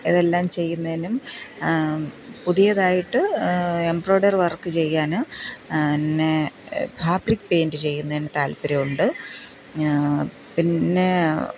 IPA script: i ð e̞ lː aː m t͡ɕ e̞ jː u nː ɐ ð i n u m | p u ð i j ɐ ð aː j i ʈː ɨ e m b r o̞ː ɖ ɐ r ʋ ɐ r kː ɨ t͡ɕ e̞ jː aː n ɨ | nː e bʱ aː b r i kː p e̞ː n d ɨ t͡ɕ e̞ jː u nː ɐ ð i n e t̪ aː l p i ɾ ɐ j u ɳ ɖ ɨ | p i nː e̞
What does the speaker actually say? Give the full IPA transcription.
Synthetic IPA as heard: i ð e̞ lː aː m t͡ɕ e̞ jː u nː ɐ ð i n u m | p u ð i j ɐ ð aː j i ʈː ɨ e m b r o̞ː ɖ ɐ r ʋ ɐ r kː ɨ t͡ɕ e̞ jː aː n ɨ | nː e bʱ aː b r i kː p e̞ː n d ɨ t͡ɕ e̞ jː u nː ɐ ð i n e t̪ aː l p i ɾ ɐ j u ɳ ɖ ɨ | p i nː e̞